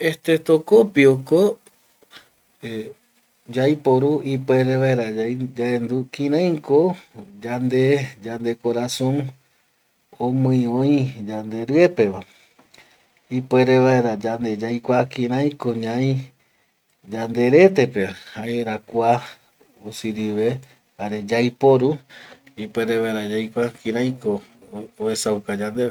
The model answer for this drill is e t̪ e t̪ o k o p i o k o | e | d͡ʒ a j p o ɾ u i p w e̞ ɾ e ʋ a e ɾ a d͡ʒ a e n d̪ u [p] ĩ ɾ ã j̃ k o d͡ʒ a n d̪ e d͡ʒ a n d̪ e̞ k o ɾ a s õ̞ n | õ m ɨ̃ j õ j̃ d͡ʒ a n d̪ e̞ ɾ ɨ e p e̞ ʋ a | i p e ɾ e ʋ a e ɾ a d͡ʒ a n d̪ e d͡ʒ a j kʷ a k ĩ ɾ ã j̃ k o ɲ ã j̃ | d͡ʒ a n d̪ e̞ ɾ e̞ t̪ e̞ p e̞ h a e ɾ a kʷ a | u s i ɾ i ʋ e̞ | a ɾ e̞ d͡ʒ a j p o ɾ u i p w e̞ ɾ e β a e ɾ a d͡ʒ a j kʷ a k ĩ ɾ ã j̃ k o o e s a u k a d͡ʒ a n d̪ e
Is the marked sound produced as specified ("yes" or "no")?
no